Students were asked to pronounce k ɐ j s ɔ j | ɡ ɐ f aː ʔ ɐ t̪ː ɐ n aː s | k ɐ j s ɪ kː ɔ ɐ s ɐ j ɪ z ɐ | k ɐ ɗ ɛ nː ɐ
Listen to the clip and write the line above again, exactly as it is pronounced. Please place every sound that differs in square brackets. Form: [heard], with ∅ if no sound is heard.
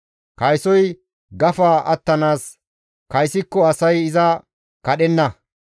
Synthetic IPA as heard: k ɐ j s ɔ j | ɡ ɐ f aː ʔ ɐ t̪ː ɐ n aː s | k ɐ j s ɪ kː ɔ ɐ s ɐ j ɪ z ɐ | k ɐ ɗ ɛ nː ɐ

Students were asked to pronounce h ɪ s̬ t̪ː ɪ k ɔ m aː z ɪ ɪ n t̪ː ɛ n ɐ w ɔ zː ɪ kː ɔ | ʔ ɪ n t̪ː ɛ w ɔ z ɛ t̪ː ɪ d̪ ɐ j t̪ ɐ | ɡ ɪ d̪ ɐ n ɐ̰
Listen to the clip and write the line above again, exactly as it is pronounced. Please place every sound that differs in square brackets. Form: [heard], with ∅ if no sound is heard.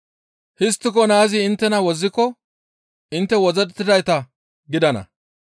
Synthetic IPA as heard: h ɪ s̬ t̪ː ɪ k ɔ [n] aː z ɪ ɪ n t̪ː ɛ n ɐ w ɔ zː ɪ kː ɔ | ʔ ɪ n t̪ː ɛ w ɔ z ɛ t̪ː ɪ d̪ ɐ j t̪ ɐ | ɡ ɪ d̪ ɐ n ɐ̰

